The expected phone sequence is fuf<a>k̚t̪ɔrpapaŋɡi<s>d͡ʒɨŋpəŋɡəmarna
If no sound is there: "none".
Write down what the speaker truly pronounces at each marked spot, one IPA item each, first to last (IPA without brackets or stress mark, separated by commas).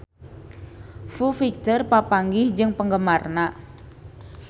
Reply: i, h